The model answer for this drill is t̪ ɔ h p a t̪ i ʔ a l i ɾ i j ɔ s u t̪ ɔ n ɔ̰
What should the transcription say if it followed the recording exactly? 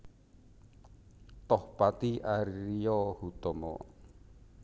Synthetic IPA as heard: t̪ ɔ h p a t̪ i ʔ a ɾ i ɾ i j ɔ h u t̪ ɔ m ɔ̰